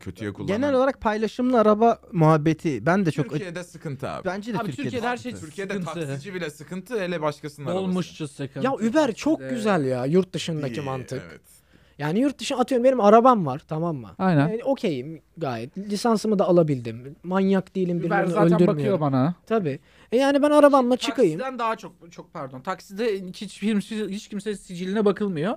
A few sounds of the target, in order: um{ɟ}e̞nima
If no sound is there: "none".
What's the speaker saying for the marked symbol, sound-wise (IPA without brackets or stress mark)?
b